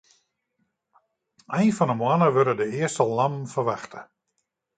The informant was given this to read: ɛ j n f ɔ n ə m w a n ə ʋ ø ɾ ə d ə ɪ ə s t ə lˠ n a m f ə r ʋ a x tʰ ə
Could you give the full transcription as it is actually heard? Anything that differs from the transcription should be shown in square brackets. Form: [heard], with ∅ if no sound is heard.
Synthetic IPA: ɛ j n f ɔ n ə m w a n ə ʋ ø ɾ ə d ə ɪ ə s t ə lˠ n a m f ə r ʋ a x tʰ ə